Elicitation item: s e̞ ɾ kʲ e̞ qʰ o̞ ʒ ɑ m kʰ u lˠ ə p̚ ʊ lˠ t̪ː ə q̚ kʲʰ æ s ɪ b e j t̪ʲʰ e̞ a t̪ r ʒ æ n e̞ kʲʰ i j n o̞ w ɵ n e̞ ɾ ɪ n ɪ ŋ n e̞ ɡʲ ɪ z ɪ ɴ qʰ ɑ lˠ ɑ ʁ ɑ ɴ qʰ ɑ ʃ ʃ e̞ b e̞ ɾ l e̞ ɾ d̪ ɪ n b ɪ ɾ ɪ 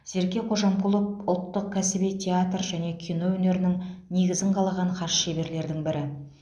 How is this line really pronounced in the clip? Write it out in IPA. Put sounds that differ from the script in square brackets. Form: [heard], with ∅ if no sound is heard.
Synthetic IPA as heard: [z] e̞ ɾ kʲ e̞ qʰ o̞ ʒ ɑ m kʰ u lˠ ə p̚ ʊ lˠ t̪ː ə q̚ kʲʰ æ s ɪ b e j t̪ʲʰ e̞ a t̪ r ʒ æ n e̞ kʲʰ i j n o̞ w ɵ n e̞ ɾ ɪ n ɪ ŋ n e̞ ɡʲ ɪ z ɪ ɴ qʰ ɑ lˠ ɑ ʁ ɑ ɴ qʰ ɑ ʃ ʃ e̞ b e̞ ɾ l e̞ ɾ d̪ ɪ [ŋ] b ɪ ɾ ɪ